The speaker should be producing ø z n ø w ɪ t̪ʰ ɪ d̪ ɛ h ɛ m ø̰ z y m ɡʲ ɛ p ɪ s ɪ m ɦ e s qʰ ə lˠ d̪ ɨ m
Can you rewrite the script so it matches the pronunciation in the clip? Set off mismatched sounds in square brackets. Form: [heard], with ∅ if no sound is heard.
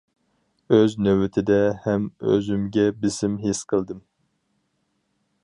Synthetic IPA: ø z n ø w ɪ t̪ʰ ɪ d̪ ɛ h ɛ m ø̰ z y m ɡʲ ɛ [b] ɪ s ɪ m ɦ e s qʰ ə lˠ d̪ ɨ m